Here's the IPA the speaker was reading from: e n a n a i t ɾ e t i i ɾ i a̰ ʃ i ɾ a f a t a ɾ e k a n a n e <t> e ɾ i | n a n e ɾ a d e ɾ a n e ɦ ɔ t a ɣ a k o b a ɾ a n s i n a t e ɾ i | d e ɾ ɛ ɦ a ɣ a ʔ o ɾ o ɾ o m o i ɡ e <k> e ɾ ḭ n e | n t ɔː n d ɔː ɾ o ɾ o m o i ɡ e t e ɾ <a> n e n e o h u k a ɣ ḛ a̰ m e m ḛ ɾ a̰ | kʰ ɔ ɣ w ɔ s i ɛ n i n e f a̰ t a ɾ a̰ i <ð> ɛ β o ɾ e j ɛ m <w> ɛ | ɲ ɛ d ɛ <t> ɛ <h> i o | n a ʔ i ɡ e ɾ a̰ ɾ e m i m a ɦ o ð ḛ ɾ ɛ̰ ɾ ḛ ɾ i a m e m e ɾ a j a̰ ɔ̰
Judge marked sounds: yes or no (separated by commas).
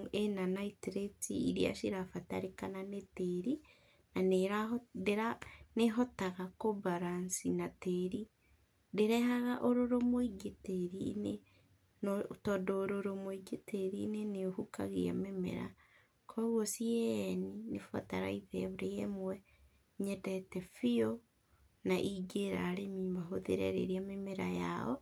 yes, no, no, yes, yes, yes, no